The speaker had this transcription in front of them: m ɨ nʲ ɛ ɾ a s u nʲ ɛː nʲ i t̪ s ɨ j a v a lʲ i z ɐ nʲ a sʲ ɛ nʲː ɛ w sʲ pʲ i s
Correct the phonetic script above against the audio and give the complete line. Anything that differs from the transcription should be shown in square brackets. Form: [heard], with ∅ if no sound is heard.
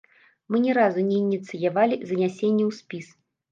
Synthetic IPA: m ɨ nʲ ɛ ɾ a [z] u nʲ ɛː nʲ i t̪ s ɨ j a v a lʲ i z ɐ nʲ a sʲ [e] nʲː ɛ w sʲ pʲ i s